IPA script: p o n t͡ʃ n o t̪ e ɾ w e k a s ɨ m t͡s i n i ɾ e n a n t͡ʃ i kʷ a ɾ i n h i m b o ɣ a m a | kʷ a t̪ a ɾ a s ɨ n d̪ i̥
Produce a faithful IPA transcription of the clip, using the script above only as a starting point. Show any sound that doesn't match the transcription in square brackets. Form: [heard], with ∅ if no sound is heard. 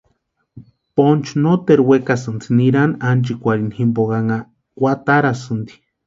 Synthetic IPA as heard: p o n t͡ʃ n o t̪ e ɾ w e k a s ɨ [n] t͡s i n i ɾ [a] n a n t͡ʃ i kʷ a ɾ i n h i m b o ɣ a [ŋ] a | kʷ a t̪ a ɾ a s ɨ n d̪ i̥